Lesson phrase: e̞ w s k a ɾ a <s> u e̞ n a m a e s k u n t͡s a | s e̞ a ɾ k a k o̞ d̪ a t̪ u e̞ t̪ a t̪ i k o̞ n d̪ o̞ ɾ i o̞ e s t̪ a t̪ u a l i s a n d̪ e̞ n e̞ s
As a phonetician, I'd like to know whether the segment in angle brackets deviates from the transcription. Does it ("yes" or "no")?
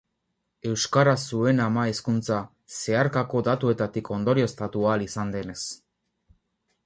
no